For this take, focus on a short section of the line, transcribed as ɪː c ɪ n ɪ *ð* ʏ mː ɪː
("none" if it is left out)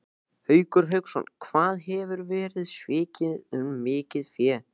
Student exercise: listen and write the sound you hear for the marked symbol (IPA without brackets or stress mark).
ð